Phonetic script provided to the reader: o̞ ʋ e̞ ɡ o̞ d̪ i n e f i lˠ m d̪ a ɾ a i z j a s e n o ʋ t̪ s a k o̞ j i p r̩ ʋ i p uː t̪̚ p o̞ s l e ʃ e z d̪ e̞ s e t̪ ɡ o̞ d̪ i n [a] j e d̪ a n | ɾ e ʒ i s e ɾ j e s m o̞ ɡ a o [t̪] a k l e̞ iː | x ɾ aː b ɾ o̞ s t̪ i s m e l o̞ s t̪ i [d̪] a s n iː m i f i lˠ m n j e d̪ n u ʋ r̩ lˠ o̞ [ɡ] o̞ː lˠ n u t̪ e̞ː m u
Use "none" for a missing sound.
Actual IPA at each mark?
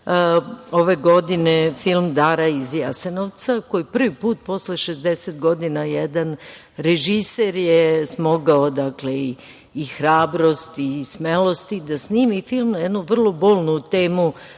a, d̪, d̪, b

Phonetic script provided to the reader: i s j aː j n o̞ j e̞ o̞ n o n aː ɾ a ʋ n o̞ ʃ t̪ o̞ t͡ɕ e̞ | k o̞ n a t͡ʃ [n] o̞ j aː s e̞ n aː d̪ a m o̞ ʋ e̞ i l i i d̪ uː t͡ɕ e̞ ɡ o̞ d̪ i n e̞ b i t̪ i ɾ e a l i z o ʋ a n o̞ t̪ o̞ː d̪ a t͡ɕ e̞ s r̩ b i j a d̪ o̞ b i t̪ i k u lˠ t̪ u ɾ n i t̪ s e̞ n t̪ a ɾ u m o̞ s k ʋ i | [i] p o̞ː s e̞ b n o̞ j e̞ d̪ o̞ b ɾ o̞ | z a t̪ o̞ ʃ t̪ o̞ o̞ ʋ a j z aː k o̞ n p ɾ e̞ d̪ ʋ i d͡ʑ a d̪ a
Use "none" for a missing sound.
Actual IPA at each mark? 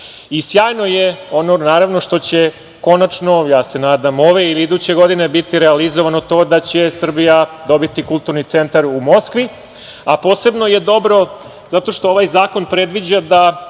n, a

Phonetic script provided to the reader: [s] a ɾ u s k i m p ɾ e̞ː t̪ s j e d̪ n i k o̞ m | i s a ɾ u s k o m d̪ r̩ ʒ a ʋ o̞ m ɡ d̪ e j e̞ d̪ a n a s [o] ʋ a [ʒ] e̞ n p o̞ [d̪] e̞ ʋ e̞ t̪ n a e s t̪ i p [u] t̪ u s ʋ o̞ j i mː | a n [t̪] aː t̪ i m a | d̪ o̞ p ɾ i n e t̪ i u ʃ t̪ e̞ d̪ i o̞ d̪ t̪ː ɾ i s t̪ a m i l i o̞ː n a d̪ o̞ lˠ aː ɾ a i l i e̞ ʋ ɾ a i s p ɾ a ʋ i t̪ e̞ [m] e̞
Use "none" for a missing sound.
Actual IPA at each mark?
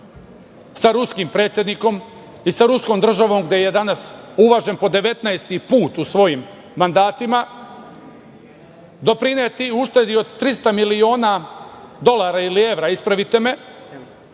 s, u, ʒ, d̪, uː, d̪, m

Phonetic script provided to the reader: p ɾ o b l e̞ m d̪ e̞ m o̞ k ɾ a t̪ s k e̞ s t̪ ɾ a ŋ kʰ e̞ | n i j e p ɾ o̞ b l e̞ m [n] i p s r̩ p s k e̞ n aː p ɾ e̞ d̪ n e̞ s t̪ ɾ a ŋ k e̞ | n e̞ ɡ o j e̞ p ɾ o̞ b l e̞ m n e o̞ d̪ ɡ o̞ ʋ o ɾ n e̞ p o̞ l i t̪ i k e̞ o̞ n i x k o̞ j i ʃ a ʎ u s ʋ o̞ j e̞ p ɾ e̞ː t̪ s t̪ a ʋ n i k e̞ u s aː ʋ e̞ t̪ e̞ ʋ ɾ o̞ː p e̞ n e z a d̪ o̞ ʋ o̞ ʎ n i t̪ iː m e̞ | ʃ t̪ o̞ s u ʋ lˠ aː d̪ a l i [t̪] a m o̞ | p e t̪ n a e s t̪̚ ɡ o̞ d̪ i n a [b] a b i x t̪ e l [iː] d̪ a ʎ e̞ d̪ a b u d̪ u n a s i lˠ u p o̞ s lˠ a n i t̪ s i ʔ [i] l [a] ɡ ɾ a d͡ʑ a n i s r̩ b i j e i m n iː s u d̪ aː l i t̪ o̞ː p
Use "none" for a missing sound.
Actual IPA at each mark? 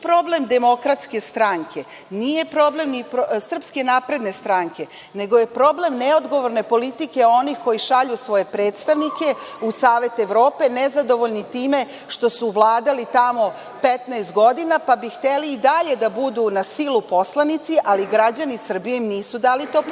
n, t̪, p, iː, a, i

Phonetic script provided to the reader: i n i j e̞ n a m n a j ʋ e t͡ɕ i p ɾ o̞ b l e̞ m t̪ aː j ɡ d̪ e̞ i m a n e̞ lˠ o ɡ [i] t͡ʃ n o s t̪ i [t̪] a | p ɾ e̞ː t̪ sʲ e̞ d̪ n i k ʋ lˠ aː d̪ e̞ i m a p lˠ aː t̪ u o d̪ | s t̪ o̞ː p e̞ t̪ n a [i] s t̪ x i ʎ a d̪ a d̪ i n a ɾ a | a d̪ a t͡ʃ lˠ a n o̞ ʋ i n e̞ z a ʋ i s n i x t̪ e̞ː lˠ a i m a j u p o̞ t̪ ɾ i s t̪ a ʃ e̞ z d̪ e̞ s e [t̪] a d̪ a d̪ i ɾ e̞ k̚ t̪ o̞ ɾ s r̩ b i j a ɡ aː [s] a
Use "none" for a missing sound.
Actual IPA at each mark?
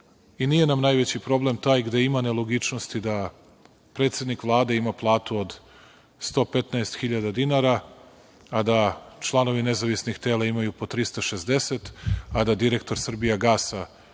i, d̪, e, t̪, s

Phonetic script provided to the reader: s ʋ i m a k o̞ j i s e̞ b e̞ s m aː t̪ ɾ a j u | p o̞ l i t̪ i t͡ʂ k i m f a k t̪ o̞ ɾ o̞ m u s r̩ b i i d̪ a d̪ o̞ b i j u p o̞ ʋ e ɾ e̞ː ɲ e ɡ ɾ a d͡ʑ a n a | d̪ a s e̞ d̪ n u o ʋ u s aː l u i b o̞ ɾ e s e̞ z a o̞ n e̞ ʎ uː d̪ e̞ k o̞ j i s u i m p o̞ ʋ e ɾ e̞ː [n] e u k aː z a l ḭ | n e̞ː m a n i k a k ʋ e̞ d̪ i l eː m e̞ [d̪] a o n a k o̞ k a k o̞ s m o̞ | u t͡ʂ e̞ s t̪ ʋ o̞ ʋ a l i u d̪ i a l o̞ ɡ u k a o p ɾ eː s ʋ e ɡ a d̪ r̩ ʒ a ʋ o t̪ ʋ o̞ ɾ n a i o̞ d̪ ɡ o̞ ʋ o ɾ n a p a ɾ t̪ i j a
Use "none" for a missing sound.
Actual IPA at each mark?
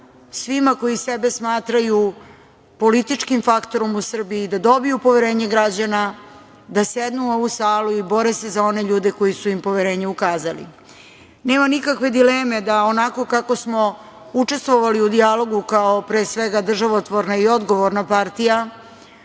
ɲ, d̪

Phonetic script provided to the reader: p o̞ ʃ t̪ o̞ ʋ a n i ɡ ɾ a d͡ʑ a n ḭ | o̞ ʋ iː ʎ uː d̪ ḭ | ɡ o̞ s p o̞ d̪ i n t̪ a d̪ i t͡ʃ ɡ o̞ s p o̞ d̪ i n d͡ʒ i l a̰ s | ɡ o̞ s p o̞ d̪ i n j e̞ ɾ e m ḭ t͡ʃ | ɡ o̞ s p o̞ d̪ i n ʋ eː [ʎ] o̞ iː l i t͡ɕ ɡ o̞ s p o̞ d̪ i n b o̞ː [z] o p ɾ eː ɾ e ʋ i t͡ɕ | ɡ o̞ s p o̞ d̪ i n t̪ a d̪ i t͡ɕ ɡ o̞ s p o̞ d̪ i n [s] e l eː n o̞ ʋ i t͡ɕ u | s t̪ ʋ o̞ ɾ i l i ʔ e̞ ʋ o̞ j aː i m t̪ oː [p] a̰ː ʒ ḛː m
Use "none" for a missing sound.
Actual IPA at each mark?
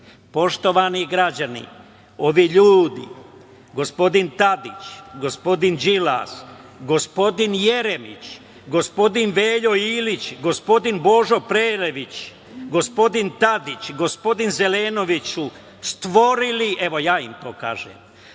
ʎ, ʒ, z, k

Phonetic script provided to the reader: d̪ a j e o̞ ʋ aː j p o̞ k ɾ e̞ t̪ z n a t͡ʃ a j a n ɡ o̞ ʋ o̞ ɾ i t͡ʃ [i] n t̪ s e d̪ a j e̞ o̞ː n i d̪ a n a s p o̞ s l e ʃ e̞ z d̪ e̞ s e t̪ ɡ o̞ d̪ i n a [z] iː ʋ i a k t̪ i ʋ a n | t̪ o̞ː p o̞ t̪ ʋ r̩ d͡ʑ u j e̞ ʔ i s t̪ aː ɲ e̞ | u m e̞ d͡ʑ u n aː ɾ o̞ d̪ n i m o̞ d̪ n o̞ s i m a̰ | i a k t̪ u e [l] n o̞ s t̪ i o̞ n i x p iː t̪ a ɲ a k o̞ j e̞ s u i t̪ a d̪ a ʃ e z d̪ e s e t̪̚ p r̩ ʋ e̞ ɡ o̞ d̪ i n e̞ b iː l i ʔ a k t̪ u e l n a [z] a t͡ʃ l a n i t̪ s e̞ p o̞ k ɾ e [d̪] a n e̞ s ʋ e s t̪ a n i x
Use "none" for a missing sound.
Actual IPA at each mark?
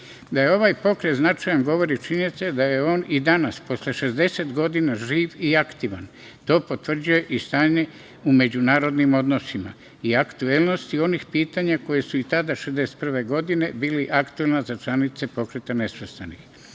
i, ʒ, l, z, t̪

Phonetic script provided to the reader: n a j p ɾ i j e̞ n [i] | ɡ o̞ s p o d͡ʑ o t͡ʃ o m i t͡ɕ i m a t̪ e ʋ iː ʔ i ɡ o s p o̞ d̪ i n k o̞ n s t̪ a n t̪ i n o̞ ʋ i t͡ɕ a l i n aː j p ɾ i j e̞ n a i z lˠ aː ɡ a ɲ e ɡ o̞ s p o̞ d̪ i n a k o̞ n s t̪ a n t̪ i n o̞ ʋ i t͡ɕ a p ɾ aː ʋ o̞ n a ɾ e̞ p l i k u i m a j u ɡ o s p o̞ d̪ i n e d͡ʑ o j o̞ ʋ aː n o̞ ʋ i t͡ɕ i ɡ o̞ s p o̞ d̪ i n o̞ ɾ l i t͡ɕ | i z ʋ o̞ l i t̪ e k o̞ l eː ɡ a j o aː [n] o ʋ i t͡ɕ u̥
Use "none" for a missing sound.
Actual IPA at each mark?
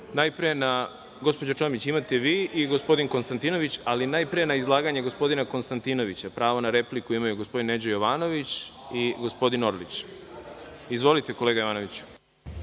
a, n

